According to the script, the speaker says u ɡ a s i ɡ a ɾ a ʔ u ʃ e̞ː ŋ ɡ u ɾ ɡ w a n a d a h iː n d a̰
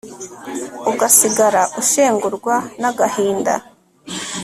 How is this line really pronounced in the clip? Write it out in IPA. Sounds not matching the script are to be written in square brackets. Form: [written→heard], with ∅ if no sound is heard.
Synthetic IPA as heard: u ɡ a s i ɡ a ɾ a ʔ u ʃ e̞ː ŋ ɡ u ɾ ɡ w a n a [d→ɡ] a h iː n d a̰